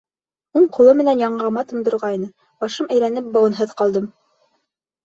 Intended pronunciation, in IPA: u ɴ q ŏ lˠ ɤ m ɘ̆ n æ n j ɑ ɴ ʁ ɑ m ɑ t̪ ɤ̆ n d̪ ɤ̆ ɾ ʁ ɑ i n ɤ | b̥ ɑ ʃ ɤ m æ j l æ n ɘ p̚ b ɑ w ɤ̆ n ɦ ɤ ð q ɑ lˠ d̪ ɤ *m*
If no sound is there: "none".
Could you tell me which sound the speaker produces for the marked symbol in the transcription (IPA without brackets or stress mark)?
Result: m